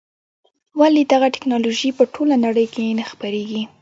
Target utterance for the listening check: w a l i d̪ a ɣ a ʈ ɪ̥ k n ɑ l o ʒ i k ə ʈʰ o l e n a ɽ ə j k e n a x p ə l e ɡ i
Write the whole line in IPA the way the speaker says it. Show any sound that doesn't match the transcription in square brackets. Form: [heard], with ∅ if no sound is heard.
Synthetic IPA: w a l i d̪ a ɣ a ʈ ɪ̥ k n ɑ l o ʒ i [p] ə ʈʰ o l [a] n a ɽ ə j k e n a x p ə [ɾ] e ɡ i